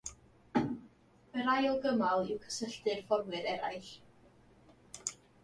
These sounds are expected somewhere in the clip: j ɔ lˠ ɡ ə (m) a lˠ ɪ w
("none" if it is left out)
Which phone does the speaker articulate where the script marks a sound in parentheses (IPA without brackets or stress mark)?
m